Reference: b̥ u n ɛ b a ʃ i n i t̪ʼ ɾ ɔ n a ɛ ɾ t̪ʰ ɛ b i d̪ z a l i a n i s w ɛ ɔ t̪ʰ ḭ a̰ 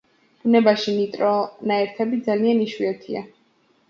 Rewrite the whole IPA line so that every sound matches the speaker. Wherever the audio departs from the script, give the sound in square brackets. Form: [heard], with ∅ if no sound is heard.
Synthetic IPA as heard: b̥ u n ɛ b a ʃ i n i t̪ʼ ɾ ɔ n a ɛ ɾ t̪ʰ ɛ b i d̪ z a l i a n i [ʃ] w [i] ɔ t̪ʰ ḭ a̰